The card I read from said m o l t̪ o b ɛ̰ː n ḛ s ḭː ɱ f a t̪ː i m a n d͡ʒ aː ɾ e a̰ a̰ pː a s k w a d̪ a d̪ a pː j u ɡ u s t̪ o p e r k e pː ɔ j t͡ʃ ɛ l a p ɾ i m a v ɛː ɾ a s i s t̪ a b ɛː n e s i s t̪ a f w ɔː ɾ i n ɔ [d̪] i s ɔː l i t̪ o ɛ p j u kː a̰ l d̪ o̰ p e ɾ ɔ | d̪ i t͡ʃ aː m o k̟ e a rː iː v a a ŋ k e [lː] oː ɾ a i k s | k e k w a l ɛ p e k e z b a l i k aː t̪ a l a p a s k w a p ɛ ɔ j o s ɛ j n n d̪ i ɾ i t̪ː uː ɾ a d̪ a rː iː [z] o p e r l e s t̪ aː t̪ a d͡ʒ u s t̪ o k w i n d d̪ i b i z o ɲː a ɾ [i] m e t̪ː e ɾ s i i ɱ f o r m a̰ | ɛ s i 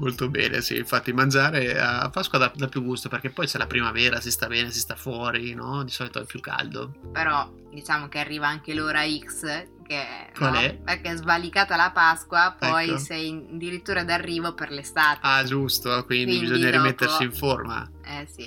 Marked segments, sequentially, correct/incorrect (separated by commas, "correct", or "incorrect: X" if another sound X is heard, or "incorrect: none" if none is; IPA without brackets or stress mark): correct, incorrect: l, incorrect: v, correct